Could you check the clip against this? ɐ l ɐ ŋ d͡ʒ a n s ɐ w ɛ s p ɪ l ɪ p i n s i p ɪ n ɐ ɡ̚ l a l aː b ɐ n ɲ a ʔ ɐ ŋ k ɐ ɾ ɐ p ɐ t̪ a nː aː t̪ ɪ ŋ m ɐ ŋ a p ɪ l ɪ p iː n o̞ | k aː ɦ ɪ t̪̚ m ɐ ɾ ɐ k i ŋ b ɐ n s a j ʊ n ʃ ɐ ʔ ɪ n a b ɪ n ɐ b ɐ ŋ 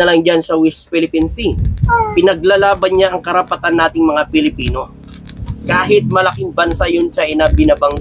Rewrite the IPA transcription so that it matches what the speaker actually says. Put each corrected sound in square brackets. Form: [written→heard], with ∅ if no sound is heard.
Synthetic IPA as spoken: ɐ l ɐ ŋ d͡ʒ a n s ɐ w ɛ s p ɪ l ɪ p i n s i p ɪ n ɐ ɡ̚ l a l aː b ɐ n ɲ a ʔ ɐ ŋ k ɐ ɾ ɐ p ɐ t̪ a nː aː t̪ ɪ ŋ m ɐ ŋ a p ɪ l ɪ p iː n o̞ | k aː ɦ ɪ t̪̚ m ɐ [ɾ→l] ɐ k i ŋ b ɐ n s a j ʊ n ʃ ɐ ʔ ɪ n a b ɪ n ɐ b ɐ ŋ

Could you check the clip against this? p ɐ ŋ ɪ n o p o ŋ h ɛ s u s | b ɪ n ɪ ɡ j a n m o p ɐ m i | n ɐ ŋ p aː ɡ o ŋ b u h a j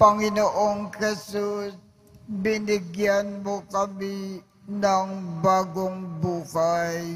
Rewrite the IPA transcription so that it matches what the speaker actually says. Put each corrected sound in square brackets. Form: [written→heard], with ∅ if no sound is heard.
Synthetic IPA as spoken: p ɐ ŋ ɪ n o [p→ʔ] o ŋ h ɛ s u s | b ɪ n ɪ ɡ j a n m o [p→k] ɐ m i | n ɐ ŋ [p→b] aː ɡ o ŋ b [u→uː] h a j

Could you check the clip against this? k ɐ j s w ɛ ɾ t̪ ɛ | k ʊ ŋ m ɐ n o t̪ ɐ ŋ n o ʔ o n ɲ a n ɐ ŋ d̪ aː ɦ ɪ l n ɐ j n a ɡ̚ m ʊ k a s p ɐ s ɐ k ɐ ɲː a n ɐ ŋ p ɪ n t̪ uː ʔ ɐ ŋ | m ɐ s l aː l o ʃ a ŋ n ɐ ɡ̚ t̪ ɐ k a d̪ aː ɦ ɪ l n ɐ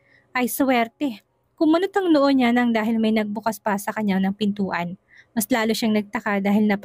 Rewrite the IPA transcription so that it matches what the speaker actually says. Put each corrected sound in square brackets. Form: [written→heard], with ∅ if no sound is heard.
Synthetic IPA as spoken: [k→ʔ] ɐ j s w ɛ ɾ t̪ ɛ | k ʊ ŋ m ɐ n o t̪ ɐ ŋ n o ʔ o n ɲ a n ɐ ŋ d̪ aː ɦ ɪ l [n→m] ɐ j n [a→ɐ] ɡ̚ [m→b] ʊ k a s p ɐ s ɐ k ɐ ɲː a n ɐ ŋ p ɪ n t̪ uː ʔ ɐ [ŋ→n] | m ɐ s l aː l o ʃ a ŋ n ɐ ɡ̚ t̪ ɐ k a d̪ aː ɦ ɪ l n ɐ

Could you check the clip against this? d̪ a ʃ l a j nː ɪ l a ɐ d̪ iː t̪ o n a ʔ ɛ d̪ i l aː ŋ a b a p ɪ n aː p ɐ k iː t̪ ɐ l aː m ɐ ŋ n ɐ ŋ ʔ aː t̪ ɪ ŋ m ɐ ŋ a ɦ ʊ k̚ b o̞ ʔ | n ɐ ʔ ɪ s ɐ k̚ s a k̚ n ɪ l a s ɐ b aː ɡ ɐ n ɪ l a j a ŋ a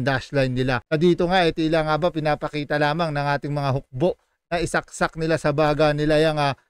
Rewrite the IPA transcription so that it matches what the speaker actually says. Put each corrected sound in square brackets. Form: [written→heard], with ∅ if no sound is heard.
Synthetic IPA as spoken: d̪ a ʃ l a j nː ɪ l a ɐ d̪ iː t̪ o [n→ŋ] a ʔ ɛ [d̪→t̪] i l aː ŋ a b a p ɪ n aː p ɐ k iː t̪ ɐ l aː m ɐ ŋ n ɐ ŋ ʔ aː t̪ ɪ ŋ m ɐ ŋ a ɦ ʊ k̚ b o̞ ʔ | n ɐ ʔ ɪ s ɐ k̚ s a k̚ n ɪ l a s ɐ b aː ɡ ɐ n ɪ l a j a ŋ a

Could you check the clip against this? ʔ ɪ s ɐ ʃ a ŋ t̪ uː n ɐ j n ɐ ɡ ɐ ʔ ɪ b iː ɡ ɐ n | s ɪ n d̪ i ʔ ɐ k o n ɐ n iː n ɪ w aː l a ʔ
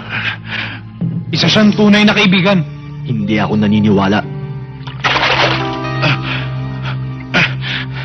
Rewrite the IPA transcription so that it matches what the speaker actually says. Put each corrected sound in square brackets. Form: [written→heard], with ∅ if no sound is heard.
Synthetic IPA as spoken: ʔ ɪ s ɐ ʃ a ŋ t̪ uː n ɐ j n ɐ [ɡ→k] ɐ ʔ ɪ b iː ɡ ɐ n | [s→h] ɪ n d̪ i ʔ ɐ k o n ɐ n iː n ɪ w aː l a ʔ

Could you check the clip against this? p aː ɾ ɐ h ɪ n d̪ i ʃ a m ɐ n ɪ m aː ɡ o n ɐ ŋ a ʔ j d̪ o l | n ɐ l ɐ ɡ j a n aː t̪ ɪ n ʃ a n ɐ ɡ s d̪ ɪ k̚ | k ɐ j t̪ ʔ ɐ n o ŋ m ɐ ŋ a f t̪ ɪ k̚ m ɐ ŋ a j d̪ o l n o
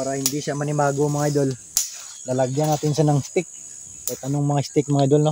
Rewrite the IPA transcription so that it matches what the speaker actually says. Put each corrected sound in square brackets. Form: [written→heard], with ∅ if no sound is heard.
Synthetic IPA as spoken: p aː ɾ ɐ h ɪ n d̪ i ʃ a m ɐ n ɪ m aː ɡ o [n→m] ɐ ŋ a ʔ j d̪ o l | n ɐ l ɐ ɡ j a n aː t̪ ɪ n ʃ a n ɐ [ɡ→ŋ] s [d̪→t̪] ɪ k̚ | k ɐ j t̪ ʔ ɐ n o ŋ m ɐ ŋ a [f→s] t̪ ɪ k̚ m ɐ ŋ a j d̪ o l n o

